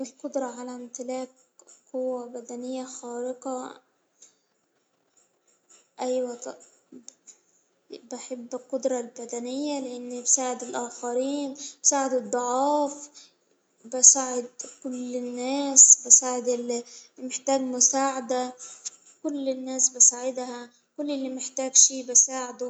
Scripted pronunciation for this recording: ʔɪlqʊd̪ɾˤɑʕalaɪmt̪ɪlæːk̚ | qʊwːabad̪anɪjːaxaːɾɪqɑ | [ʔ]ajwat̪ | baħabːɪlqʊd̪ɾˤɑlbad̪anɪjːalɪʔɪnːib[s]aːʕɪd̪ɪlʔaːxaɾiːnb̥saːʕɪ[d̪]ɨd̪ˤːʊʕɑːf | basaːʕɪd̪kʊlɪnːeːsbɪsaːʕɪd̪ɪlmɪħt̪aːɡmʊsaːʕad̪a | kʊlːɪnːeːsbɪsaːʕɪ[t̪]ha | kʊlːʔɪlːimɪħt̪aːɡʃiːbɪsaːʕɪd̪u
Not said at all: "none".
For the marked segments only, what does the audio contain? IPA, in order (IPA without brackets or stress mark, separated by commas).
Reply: ʔ, s, d̪, d̪